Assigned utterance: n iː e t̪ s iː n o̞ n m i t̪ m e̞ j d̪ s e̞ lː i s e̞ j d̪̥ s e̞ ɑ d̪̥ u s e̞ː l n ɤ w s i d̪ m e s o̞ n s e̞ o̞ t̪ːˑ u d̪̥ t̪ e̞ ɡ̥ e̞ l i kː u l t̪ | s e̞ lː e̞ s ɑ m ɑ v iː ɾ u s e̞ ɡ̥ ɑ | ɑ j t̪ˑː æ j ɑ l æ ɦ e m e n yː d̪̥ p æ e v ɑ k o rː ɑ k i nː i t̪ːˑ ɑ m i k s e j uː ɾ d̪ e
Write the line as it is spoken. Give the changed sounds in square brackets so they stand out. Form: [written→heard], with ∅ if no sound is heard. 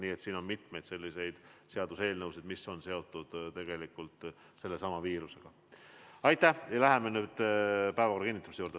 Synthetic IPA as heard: n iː e t̪ s iː n o̞ n m i t̪ m e̞ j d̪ s e̞ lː i s e̞ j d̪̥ s e̞ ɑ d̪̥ u s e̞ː l n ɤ w s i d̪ m [e→i] s o̞ n s e̞ o̞ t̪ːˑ u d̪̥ t̪ e̞ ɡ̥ e̞ l i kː u l t̪ | s e̞ lː e̞ s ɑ m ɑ v iː ɾ u s e̞ ɡ̥ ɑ | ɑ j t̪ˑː æ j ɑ l æ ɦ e m e n yː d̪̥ p æ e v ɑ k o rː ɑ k i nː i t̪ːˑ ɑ m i [k→∅] s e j uː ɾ d̪ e